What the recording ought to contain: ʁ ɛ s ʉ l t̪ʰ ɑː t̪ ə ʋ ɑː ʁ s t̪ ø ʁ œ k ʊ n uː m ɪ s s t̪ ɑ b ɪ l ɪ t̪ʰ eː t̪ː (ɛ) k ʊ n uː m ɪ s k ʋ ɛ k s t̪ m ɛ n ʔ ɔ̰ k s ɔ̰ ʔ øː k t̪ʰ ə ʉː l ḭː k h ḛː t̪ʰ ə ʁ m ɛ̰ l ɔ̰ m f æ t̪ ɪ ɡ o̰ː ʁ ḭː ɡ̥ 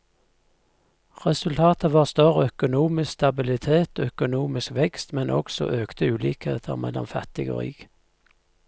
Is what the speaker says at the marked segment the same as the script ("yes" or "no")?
no